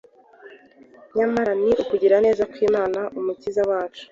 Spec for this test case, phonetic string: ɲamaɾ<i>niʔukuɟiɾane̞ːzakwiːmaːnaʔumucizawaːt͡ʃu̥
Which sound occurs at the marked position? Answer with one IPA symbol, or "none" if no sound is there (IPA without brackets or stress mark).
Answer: a